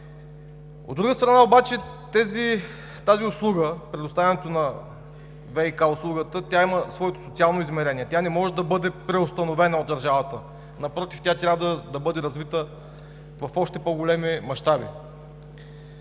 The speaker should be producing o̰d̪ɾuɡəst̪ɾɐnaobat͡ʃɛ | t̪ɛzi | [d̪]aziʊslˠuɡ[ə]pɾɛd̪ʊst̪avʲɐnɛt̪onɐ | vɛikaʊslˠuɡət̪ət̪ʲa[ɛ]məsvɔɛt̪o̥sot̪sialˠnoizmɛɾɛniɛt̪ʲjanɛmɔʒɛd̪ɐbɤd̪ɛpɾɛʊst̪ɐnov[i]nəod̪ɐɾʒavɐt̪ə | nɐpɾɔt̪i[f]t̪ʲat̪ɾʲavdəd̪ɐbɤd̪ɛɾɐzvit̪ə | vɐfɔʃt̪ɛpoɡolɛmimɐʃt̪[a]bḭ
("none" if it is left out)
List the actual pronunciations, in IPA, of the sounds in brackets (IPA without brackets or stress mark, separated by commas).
t̪, ə, i, ɛ, f, a